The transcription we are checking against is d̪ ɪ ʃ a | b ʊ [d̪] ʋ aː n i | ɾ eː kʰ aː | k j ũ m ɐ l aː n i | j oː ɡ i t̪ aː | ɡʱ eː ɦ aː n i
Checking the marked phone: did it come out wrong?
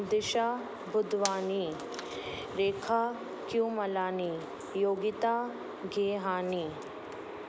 no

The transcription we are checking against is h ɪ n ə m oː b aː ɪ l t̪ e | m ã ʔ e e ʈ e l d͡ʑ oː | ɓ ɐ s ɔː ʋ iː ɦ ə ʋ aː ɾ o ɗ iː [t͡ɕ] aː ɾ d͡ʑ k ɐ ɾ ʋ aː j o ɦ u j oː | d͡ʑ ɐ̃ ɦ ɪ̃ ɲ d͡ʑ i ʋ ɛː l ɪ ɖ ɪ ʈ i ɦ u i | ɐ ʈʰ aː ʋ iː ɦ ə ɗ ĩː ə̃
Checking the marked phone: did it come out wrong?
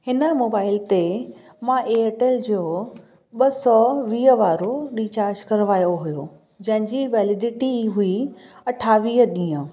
no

